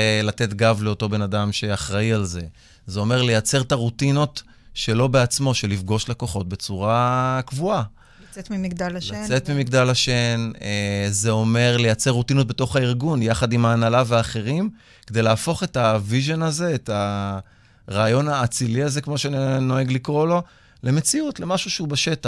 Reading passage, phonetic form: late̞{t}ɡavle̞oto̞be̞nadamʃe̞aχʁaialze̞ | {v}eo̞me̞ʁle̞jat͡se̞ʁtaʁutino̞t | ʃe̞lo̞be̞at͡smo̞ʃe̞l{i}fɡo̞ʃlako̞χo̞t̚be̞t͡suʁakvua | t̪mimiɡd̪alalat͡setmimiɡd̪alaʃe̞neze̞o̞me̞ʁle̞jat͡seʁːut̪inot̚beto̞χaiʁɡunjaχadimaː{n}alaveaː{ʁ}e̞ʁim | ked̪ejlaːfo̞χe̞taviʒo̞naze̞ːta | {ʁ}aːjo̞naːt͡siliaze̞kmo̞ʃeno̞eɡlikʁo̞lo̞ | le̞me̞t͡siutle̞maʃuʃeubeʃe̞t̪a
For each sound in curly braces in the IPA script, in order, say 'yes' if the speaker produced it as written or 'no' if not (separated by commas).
yes, no, yes, yes, no, yes